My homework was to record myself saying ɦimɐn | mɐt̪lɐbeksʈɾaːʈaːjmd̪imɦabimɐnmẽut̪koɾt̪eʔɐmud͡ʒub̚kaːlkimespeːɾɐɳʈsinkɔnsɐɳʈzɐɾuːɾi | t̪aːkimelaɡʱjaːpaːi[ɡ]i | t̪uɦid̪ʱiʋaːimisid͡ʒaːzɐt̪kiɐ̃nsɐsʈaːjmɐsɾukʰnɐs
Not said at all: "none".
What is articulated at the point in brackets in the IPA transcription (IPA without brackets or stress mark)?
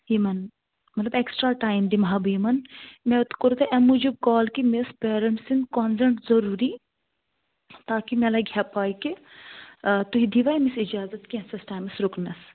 k